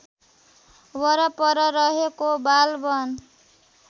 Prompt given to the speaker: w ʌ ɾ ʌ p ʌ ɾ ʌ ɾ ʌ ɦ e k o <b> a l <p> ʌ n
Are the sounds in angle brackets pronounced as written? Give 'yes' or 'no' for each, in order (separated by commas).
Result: yes, no